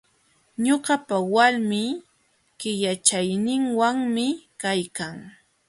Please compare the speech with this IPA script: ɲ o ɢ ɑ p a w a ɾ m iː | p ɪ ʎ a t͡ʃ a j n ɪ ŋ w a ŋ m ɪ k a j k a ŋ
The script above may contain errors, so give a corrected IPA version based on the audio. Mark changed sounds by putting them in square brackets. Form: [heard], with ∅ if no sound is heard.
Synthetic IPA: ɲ o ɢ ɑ p a w a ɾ m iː | [k] ɪ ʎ a t͡ʃ a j n ɪ ŋ w a ŋ m ɪ k a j k a ŋ